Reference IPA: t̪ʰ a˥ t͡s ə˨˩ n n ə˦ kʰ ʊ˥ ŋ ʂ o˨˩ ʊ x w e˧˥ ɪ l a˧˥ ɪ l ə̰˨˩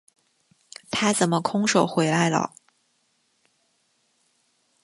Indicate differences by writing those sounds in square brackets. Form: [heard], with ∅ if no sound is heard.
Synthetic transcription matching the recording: t̪ʰ a˥ t͡s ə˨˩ n [m] ə˦ kʰ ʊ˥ ŋ ʂ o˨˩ ʊ x w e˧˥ ɪ l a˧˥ ɪ l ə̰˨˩